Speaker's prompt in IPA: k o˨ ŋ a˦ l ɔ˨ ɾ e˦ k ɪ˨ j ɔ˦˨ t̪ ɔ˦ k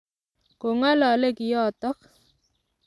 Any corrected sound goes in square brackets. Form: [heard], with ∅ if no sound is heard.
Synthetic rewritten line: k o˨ ŋ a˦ l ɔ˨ [l] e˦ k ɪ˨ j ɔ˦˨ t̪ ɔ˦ k